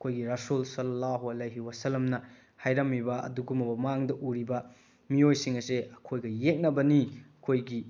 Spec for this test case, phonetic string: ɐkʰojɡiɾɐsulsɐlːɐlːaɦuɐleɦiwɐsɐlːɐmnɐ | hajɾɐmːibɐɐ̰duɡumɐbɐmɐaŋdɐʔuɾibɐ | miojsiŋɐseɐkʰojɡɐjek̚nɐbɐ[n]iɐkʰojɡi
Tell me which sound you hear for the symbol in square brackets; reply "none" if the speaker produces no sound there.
n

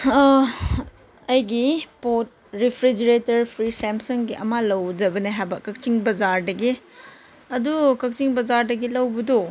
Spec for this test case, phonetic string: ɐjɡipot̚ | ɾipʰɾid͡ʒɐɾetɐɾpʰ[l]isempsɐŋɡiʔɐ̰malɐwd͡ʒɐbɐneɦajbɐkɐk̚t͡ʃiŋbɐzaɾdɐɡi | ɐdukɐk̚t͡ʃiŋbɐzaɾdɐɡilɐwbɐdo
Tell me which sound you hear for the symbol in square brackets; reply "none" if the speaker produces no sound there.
ɾ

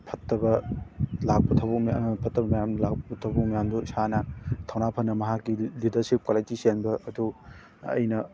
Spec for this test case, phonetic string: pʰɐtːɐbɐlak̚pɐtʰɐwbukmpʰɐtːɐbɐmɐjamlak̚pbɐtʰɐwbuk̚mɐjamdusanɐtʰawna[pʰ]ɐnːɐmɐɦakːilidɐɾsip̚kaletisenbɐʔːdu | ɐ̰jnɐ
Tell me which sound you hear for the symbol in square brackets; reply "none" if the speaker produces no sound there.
pʰ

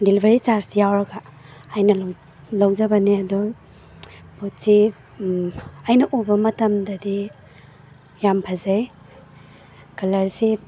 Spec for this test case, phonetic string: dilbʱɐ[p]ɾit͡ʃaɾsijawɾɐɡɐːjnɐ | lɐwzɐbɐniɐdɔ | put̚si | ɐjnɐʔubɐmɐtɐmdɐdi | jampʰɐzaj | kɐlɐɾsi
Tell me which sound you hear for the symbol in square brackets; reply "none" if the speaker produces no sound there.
none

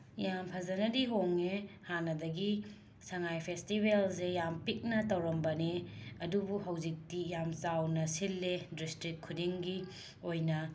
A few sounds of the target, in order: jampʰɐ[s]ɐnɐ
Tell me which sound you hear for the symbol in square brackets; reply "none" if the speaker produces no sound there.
z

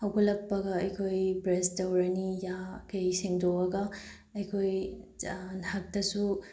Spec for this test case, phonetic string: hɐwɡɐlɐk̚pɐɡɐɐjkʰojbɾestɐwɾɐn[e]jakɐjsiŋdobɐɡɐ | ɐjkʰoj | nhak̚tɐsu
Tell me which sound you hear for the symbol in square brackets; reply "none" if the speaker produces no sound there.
i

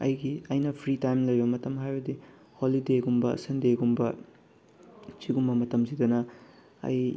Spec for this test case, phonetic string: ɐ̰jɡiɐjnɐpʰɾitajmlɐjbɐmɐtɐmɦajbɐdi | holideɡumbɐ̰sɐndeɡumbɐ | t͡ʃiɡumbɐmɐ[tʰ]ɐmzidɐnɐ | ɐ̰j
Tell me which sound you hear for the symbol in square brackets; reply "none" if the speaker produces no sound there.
t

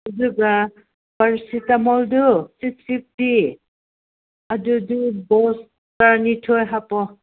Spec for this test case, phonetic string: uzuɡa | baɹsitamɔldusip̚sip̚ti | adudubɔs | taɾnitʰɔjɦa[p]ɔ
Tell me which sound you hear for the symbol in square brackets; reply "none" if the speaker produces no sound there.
p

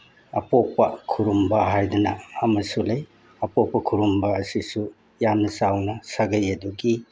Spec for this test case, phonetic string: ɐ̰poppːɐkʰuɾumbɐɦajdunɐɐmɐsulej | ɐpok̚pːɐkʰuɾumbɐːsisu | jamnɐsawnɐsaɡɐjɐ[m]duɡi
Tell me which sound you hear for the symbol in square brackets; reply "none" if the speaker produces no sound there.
none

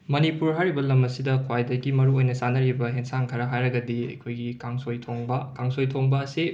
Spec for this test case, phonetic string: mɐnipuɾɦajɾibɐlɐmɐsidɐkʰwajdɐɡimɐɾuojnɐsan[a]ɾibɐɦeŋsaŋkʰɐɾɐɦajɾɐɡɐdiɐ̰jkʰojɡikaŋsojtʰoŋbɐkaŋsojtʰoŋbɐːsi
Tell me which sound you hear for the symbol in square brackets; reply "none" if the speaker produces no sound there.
ɐ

